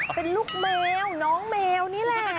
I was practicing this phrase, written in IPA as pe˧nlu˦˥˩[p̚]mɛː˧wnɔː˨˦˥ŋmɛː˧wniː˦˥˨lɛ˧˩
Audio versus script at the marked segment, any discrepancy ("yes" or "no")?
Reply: yes